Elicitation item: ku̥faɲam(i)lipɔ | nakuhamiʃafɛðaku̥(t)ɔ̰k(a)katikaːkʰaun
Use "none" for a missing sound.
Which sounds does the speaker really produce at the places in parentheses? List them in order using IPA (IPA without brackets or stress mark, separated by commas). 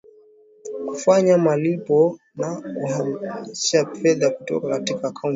a, t, a